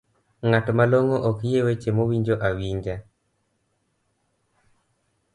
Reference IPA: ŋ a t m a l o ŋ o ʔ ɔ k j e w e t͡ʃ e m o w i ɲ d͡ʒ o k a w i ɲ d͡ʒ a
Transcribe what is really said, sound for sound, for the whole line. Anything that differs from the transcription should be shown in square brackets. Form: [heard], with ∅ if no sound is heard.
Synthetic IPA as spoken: ŋ a t m a l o ŋ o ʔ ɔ k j e w e t͡ʃ e m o w i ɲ d͡ʒ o [ʔ] a w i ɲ d͡ʒ a

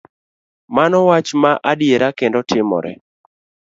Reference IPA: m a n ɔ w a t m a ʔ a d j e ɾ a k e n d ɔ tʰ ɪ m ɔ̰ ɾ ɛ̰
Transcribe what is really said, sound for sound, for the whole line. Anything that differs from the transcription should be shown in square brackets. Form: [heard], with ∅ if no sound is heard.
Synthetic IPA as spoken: m a n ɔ w a [t͡ʃ] m a ʔ a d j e ɾ a k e n d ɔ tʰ ɪ m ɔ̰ ɾ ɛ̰

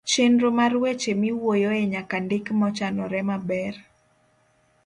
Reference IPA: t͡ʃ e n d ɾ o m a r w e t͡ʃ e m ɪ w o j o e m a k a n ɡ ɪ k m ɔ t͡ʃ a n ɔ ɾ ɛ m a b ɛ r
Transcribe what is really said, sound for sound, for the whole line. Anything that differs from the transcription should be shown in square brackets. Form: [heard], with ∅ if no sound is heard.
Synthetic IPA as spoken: t͡ʃ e n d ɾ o m a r w e t͡ʃ e m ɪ w o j o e [ɲ] a k a n [d] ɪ k m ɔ t͡ʃ a n ɔ ɾ ɛ m a b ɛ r

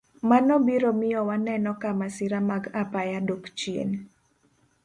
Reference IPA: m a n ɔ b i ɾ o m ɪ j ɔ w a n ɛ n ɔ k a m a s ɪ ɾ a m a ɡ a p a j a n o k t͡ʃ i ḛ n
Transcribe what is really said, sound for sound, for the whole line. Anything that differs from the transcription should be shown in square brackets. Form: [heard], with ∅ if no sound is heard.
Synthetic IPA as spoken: m a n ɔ b i ɾ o m ɪ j ɔ w a n ɛ n ɔ k a m a s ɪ ɾ a m a ɡ a p a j a [d] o k t͡ʃ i ḛ n

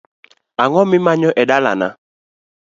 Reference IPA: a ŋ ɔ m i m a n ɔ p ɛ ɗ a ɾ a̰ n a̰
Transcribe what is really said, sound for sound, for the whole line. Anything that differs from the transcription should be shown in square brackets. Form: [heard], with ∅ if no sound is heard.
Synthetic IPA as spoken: a ŋ ɔ m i m a [ɲ] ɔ [ʔ] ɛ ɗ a [l] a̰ n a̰

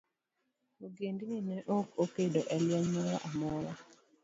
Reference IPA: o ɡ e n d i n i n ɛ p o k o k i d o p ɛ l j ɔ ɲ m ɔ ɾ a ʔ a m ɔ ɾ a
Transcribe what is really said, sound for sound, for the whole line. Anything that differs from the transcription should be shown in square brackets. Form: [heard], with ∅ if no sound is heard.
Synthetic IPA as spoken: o ɡ e n d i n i n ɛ [ʔ] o k o k [e] d o [ʔ] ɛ l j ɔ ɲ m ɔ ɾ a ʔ a m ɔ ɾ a

